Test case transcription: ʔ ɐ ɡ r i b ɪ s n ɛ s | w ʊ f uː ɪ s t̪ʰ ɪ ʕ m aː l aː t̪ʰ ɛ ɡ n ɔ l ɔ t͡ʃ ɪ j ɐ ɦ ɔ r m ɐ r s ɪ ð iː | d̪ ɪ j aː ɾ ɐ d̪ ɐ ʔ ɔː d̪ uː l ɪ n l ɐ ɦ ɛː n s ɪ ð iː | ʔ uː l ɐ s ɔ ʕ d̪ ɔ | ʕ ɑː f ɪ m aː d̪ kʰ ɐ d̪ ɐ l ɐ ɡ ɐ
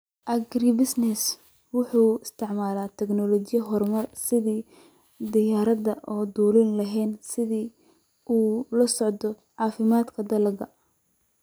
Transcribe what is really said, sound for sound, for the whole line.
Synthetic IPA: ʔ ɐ ɡ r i b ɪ s n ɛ s | w ʊ ħ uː ɪ s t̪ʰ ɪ ʕ m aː l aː t̪ʰ ɛ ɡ n ɔ l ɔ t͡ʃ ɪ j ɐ ɦ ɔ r m ɐ r s ɪ ð iː | d̪ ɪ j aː ɾ ɐ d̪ ɐ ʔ ɔː d̪ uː l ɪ n l ɐ ɦ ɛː n s ɪ ð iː | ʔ uː l ɐ s ɔ ʕ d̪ ɔ | ʕ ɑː f ɪ m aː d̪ kʰ ɐ d̪ ɐ l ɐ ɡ ɐ